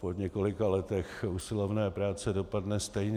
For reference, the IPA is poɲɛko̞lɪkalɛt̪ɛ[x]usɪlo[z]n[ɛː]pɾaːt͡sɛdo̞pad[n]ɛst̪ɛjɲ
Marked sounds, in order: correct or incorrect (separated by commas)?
correct, incorrect, correct, correct